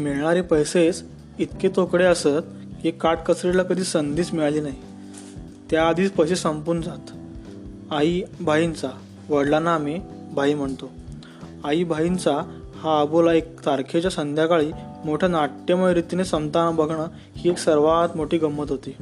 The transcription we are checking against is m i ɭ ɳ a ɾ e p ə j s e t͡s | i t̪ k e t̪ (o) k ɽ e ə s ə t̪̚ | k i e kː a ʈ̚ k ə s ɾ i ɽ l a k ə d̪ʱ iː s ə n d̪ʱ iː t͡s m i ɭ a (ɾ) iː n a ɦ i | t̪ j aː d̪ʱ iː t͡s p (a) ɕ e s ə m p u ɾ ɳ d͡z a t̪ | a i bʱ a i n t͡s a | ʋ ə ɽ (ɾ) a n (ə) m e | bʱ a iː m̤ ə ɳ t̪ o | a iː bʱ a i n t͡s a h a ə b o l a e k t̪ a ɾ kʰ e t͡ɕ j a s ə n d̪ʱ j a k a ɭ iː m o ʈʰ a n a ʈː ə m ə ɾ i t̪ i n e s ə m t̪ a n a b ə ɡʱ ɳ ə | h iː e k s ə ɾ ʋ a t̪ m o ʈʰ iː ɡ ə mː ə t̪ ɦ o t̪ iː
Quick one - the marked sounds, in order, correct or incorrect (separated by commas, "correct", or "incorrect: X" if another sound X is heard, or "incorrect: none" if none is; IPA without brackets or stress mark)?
correct, incorrect: l, incorrect: ə, incorrect: l, incorrect: a